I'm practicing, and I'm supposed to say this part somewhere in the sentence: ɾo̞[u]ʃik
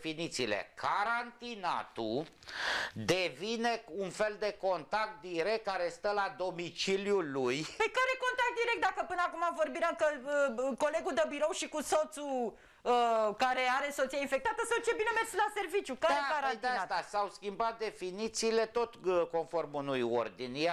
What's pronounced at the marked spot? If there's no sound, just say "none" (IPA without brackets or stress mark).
w